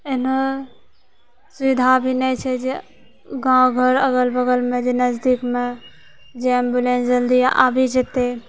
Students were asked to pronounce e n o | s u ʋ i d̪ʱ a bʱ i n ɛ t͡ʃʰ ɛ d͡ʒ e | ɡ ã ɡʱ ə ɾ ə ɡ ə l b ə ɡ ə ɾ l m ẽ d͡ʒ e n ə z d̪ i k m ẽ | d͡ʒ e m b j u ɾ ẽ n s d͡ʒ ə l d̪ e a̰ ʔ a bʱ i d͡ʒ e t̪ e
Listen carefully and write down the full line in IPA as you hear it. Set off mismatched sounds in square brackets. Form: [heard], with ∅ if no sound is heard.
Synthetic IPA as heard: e n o | s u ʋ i d̪ʱ a bʱ i n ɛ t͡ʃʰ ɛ d͡ʒ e | ɡ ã ɡʱ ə ɾ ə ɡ ə l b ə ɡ ə [∅] l m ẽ d͡ʒ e n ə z d̪ i k m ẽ | d͡ʒ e m b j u [l] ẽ n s d͡ʒ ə l d̪ [i] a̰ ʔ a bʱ i d͡ʒ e t̪ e